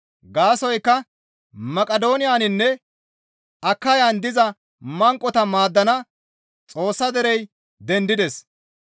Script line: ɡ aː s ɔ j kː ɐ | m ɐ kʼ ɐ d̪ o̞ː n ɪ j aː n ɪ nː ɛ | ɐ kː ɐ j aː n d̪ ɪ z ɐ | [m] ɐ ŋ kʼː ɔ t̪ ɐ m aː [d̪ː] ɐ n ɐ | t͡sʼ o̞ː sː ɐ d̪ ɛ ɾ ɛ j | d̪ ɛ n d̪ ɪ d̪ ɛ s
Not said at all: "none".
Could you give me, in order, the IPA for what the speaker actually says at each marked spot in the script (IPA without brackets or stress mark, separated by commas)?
m, d̪ː